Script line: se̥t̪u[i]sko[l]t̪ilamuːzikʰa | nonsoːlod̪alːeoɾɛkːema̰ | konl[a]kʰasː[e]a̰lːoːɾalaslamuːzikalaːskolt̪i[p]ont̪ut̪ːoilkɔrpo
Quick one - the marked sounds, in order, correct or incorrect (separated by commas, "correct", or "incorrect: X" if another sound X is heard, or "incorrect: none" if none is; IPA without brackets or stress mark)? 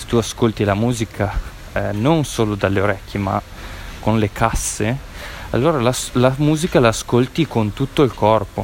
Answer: incorrect: a, correct, incorrect: e, correct, incorrect: k